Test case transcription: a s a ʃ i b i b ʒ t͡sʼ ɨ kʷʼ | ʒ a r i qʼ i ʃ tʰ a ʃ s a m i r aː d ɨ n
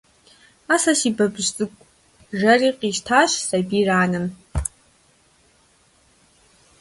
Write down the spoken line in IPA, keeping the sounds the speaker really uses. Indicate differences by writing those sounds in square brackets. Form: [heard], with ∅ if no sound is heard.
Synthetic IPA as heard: a s a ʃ i b [a] b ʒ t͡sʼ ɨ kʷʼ | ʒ a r i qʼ i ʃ tʰ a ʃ s a [b] i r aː [n] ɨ n